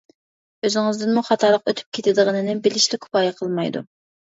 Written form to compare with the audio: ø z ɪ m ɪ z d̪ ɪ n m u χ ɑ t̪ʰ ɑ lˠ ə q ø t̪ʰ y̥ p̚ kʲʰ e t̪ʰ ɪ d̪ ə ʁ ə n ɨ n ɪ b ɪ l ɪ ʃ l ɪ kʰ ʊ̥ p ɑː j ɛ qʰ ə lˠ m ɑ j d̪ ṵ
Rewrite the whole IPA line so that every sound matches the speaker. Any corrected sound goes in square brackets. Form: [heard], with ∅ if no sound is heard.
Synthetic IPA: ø z ɪ [ŋ] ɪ z d̪ ɪ n m u χ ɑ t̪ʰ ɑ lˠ ə q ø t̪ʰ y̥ p̚ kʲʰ e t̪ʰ ɪ d̪ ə ʁ ə n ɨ n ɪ b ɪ l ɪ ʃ l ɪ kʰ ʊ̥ p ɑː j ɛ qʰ ə lˠ m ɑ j d̪ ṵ